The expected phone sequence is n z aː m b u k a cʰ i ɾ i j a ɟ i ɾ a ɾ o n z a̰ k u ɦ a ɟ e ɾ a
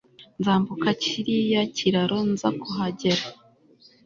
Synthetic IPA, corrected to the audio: n z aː m b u k a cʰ i ɾ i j a c i ɾ a ɾ o n z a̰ k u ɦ a ɟ e ɾ a